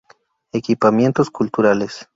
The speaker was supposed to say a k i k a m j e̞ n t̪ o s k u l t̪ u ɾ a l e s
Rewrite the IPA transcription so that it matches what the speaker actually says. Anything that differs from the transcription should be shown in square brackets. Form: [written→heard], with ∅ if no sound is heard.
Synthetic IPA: [a→e] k i [k→p] a m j e̞ n t̪ o s k u l t̪ u ɾ a l e s